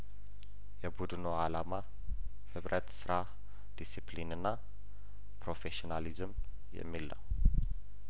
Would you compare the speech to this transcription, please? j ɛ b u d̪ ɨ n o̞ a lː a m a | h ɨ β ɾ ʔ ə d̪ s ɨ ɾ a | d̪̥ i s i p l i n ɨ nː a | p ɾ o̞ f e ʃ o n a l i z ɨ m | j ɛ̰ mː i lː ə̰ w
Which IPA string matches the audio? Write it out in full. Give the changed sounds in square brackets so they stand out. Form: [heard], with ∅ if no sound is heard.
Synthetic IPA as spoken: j ɛ b u d̪ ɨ n o̞ a [l] a m a | h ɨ β ɾ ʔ ə [t̪] s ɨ ɾ a | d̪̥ i s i p l i n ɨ nː a | p ɾ o̞ f e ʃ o n a l i z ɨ m | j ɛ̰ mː i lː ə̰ w